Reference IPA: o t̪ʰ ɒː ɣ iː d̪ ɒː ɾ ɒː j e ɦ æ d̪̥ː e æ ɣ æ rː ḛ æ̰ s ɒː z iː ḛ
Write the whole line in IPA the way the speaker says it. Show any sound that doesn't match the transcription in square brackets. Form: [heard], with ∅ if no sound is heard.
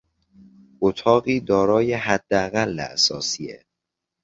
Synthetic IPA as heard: o t̪ʰ ɒː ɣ iː d̪ ɒː ɾ ɒː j e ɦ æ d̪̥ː e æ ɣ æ [lː] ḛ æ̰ s ɒː [s] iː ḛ